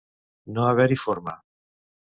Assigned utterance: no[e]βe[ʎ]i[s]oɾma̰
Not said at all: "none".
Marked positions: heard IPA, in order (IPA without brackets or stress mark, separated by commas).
a, ɾ, f